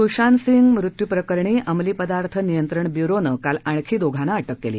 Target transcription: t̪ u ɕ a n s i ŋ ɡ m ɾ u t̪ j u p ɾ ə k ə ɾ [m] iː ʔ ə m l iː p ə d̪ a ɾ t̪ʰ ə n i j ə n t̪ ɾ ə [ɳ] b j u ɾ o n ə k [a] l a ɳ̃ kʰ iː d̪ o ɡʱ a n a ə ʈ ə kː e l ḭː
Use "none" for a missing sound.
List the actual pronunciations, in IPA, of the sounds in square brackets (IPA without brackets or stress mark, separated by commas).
ɳ, ɳ, a